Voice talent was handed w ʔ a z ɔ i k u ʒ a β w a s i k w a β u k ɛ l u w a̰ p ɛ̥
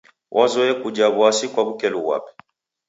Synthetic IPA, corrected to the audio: w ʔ a z ɔ ɛ k u d͡ʒ a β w a s i k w a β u k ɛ l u w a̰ p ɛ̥